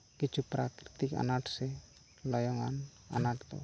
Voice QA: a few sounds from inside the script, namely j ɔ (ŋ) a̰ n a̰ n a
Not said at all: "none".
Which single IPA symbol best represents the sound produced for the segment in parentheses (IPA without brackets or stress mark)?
ŋ